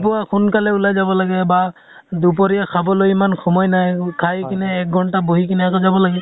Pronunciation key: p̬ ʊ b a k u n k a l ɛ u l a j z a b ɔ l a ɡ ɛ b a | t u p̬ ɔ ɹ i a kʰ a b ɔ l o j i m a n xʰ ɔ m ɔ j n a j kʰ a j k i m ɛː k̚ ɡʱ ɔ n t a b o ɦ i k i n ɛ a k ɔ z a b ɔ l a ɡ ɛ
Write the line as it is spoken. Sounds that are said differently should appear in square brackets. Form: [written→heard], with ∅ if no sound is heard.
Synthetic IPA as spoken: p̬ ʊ [b→∅] a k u n k a l ɛ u l a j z a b ɔ l a ɡ ɛ b a | [t→d] u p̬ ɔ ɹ i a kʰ a b ɔ l o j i m a n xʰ ɔ m ɔ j n a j kʰ a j k i [m→n] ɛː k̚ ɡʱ ɔ n t a b o ɦ i k i n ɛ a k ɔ z a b ɔ l a ɡ ɛ